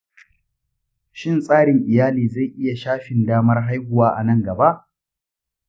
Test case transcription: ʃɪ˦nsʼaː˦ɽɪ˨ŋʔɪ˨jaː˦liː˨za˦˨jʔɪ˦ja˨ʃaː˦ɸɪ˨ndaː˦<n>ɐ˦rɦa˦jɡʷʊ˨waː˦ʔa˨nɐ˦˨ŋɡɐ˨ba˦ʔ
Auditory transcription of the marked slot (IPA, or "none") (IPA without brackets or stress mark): m